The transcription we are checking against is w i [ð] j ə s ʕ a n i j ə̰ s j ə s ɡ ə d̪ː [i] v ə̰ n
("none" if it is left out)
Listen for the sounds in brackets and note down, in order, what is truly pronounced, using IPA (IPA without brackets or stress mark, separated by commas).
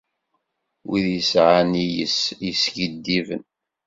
ð, i